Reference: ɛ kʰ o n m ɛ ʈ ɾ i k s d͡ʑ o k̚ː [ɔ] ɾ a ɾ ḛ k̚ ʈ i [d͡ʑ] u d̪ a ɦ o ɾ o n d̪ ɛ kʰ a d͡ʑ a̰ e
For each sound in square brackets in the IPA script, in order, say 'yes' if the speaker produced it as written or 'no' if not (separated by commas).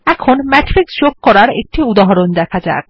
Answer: yes, no